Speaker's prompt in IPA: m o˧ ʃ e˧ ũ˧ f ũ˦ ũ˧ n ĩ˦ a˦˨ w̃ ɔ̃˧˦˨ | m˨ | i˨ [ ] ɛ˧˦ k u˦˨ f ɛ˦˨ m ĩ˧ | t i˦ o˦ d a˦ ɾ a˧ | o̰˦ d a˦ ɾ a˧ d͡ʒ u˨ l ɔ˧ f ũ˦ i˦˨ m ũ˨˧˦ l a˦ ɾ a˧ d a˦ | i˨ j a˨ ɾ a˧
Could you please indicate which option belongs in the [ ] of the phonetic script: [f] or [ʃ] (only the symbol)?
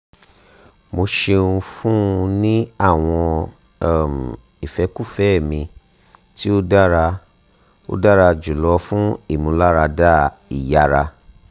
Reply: f